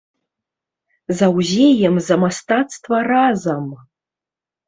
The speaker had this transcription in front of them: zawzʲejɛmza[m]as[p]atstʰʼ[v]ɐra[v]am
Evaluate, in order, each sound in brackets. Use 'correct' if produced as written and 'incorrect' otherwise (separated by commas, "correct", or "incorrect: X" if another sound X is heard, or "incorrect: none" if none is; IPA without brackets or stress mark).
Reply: correct, incorrect: t, correct, incorrect: z